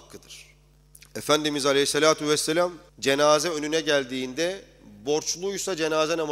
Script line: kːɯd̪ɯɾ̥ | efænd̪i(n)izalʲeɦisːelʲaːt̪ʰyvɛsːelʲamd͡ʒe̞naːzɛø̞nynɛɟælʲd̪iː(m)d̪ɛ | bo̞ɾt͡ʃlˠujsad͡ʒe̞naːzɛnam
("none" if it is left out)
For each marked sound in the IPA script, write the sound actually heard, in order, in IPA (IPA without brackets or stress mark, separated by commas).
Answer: m, n